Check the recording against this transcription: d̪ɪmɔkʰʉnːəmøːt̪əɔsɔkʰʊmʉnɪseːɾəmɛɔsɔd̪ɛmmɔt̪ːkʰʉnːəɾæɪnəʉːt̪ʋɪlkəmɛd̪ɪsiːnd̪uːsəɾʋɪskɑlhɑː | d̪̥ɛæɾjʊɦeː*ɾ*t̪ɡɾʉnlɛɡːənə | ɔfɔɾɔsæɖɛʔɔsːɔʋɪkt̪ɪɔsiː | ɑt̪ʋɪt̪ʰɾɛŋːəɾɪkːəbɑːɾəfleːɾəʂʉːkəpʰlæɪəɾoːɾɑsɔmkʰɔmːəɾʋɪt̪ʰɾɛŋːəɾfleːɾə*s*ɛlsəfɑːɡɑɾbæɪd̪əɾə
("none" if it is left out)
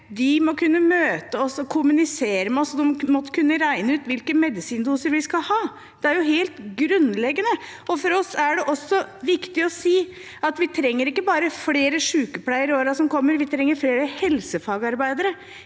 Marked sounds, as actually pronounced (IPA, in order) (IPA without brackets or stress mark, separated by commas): l, h